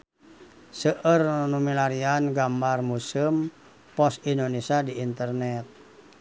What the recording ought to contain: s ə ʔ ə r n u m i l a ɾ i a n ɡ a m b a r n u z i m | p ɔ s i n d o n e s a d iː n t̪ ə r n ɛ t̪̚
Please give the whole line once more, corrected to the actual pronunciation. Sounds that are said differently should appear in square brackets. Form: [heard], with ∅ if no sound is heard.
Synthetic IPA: s ə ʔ ə r n u m i l a ɾ i a n ɡ a m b a r [m] u [s] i m | p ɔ s i n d o n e s a d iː n t̪ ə r n ɛ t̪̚